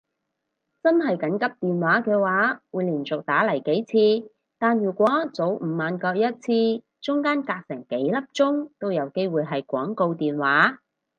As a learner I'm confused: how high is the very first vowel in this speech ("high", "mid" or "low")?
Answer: low